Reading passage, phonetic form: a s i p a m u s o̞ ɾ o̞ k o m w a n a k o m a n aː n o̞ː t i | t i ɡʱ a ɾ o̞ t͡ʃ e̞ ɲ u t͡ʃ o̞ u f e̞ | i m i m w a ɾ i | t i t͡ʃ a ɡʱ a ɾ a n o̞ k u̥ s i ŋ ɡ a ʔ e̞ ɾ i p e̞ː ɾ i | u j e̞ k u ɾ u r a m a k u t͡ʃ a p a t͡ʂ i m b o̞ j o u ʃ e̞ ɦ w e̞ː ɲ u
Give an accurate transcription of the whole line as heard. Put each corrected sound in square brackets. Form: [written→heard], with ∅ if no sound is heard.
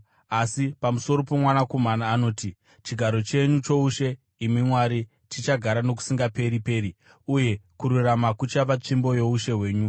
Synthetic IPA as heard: a s i p a m u s o̞ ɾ o̞ [k→p] o m w a n a k o m a n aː n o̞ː t i | [t→t͡ʃ] i ɡʱ a ɾ o̞ t͡ʃ e̞ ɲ u t͡ʃ o̞ u [f→ʃ] e̞ | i m i m w a ɾ i | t i t͡ʃ a ɡʱ a ɾ a n o̞ k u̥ s i ŋ ɡ a [ʔ→p] e̞ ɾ i p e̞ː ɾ i | u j e̞ k u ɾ u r a m a k u t͡ʃ a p a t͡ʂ i m b o̞ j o u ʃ e̞ ɦ w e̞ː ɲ u